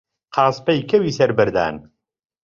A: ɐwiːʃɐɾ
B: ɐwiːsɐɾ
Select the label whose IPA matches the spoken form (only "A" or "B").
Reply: B